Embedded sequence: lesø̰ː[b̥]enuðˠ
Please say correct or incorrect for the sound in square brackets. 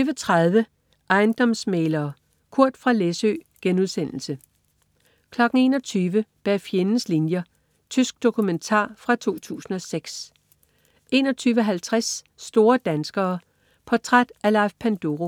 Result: incorrect: ɡ̥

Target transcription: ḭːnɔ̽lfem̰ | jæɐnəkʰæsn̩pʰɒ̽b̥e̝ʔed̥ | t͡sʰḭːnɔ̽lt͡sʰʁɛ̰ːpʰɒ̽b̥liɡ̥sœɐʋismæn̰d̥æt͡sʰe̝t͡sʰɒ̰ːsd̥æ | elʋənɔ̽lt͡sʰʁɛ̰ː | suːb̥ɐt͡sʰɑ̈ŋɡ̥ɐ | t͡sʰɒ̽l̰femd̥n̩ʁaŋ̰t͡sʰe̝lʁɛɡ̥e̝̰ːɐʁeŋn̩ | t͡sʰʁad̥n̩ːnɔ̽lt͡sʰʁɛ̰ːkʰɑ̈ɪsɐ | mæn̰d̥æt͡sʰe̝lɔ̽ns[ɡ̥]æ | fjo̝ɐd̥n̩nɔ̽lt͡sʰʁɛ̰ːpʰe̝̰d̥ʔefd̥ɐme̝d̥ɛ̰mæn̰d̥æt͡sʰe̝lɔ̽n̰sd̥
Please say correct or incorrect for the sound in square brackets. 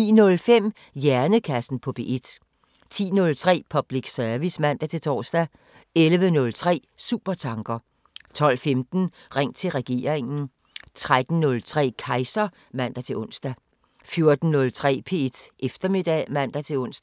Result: incorrect: d̥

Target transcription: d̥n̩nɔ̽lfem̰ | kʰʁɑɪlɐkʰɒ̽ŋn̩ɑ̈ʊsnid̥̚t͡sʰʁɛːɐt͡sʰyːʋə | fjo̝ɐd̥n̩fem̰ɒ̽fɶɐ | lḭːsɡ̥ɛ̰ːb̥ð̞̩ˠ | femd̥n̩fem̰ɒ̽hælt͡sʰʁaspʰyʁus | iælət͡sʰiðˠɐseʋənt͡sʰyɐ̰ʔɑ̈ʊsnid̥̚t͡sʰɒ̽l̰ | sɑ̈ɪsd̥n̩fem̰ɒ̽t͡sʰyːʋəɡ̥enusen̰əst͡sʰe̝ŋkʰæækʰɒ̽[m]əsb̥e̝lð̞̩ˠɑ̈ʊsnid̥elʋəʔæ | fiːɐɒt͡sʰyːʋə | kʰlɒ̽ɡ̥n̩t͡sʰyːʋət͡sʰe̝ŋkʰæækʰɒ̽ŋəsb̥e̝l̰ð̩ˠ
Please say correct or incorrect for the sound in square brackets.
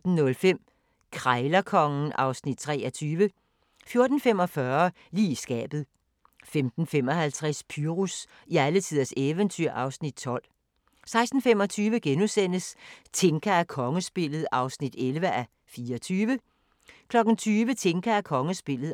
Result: incorrect: ŋ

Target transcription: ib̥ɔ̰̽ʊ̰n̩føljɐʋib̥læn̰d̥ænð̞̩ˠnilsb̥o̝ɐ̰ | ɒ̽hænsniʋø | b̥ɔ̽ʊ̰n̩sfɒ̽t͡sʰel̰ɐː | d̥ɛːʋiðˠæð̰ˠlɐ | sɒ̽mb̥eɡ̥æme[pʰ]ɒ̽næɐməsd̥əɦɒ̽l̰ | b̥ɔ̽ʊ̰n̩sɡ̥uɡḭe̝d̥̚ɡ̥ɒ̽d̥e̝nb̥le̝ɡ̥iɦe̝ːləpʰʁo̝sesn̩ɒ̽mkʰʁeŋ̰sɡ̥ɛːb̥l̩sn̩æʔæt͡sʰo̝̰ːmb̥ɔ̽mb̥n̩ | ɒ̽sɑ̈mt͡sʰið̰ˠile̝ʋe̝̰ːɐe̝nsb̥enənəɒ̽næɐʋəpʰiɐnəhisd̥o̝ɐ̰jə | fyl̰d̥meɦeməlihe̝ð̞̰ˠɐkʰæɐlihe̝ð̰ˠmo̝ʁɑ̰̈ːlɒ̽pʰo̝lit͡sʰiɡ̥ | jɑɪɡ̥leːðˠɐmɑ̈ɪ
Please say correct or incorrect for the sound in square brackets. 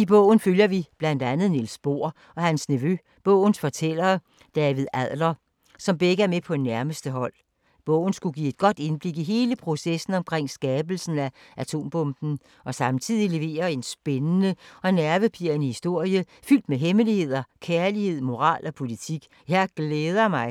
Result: correct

